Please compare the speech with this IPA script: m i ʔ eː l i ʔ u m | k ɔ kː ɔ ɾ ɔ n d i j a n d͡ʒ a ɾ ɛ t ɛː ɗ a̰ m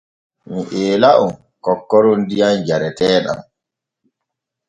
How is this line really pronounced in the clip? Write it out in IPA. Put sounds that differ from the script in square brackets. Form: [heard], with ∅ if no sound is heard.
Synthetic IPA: m i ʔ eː l [a] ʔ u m | k ɔ kː ɔ ɾ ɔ n d i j a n d͡ʒ a ɾ ɛ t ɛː ɗ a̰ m